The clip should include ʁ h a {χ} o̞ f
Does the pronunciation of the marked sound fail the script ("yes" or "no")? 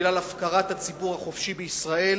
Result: no